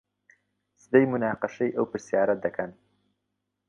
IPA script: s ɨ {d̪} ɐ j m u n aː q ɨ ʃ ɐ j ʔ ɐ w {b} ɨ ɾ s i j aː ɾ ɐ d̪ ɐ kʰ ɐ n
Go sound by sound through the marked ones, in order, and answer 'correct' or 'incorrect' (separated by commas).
correct, incorrect